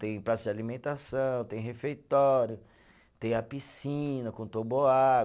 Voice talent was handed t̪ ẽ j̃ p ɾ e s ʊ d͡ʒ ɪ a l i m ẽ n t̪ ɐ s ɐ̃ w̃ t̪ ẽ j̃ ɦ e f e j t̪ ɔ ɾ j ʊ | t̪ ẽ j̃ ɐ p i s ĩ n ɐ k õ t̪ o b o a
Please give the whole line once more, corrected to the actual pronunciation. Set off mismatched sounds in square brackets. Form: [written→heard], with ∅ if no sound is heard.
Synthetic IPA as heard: t̪ ẽ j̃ p ɾ [e→a] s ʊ d͡ʒ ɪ a l i m ẽ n t̪ [ɐ→a] s ɐ̃ w̃ t̪ ẽ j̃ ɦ e f e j t̪ ɔ ɾ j ʊ | t̪ ẽ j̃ ɐ p i s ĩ n ɐ k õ t̪ o b o a